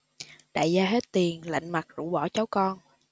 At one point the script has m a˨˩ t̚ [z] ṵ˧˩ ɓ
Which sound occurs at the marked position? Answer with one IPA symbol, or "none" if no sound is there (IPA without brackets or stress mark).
z